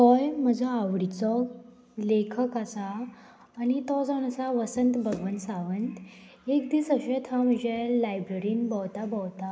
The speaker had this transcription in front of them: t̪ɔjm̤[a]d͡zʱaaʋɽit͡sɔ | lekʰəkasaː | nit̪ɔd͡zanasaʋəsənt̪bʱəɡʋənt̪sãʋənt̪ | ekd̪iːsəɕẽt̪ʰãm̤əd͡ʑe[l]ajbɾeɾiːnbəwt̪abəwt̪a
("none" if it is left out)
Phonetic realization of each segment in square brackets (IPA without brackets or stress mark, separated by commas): ə, l